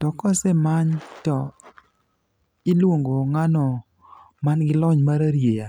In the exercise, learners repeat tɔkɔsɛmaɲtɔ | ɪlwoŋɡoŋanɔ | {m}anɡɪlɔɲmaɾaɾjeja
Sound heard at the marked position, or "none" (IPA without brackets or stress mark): m